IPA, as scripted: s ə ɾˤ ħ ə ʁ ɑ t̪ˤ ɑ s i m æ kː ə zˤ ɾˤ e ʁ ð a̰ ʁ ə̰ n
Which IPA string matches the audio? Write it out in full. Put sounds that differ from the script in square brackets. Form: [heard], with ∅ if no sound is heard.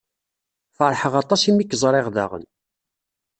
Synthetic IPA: [f] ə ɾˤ ħ ə ʁ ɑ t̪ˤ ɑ s i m [i] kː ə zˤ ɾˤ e ʁ ð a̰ ʁ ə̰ n